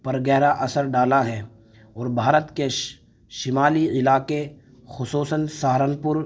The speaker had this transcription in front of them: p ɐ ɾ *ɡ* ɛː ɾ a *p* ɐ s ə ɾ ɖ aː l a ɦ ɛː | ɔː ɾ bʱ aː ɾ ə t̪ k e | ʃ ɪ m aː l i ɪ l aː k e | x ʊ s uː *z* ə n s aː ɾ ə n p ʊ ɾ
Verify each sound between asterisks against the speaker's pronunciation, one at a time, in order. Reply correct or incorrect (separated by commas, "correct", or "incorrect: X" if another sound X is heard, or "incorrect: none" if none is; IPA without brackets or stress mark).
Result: correct, incorrect: ʔ, incorrect: s